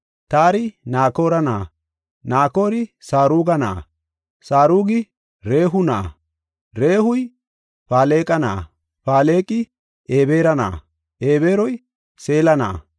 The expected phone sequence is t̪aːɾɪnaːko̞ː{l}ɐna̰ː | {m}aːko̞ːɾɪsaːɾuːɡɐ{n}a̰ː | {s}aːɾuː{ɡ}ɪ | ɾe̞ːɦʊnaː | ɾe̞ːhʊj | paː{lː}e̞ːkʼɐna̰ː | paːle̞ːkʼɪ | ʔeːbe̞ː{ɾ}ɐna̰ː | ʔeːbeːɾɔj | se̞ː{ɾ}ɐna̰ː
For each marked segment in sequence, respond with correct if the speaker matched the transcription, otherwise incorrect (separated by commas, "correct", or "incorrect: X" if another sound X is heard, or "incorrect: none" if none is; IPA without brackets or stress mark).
incorrect: ɾ, incorrect: n, correct, correct, correct, incorrect: l, correct, incorrect: l